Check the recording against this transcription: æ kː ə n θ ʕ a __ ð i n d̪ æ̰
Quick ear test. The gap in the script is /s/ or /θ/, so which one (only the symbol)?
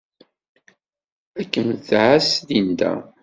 s